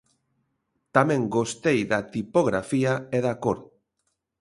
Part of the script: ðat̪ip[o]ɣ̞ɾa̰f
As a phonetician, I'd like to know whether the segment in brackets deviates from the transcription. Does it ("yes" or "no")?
no